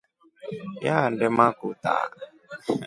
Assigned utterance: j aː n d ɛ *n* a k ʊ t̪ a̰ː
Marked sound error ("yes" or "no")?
yes